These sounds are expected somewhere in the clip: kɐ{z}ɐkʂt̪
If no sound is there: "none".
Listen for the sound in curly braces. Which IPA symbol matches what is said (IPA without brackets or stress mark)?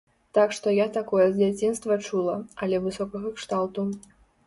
ɣ